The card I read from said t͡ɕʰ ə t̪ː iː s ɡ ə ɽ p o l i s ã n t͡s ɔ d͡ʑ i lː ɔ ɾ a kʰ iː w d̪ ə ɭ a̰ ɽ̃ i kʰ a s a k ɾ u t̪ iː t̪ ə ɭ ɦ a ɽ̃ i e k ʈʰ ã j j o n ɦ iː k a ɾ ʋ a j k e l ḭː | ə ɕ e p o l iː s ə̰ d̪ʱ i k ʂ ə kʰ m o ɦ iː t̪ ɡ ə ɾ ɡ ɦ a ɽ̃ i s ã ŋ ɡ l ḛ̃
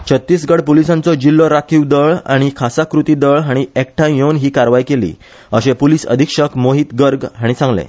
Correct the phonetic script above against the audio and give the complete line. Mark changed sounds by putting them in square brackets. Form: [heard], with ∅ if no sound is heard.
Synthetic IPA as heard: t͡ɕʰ ə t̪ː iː s ɡ ə ɽ p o l i s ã n t͡s ɔ d͡ʑ i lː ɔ ɾ a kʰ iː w d̪ ə ɭ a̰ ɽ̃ i kʰ a s a k ɾ u t̪ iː [d̪] ə ɭ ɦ a ɽ̃ i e k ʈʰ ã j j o n ɦ iː k a ɾ ʋ a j k e l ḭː | ə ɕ e p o l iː s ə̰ d̪ʱ i k ʂ ə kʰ m o ɦ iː t̪ ɡ ə ɾ ɡ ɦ a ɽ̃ i s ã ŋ ɡ l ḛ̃